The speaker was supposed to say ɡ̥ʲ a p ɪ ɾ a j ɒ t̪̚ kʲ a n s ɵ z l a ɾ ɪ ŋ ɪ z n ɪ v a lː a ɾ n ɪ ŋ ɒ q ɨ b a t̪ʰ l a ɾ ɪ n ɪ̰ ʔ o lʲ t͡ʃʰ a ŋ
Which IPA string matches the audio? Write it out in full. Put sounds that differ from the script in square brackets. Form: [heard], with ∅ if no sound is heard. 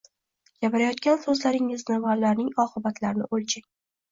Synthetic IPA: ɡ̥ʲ a p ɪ ɾ a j ɒ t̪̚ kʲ a n s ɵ z l a ɾ ɪ ŋ ɪ z n ɪ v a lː a ɾ n ɪ ŋ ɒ q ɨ b a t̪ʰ l a ɾ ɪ n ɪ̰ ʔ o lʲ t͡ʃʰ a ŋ